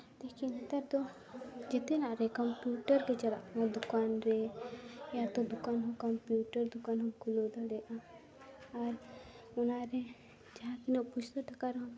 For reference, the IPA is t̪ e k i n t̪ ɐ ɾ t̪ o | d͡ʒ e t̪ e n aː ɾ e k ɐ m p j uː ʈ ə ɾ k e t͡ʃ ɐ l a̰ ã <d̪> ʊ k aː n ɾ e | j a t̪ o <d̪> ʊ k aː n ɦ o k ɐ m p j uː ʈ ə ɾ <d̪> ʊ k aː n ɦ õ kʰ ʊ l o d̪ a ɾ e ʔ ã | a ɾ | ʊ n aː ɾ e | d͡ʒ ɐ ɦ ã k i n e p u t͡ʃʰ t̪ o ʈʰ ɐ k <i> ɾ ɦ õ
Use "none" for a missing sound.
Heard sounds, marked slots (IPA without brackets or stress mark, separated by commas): d̪, d̪, d̪, a